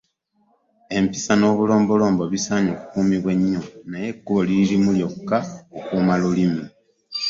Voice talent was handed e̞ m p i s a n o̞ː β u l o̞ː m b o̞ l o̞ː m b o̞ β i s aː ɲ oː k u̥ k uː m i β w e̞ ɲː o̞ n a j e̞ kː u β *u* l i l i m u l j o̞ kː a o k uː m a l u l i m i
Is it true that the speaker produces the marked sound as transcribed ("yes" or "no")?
no